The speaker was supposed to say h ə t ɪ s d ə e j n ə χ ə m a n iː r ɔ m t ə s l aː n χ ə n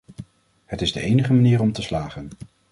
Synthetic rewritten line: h ə t ɪ z d ə e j n ə χ ə m a n iː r ɔ m t ə s l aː χ ə n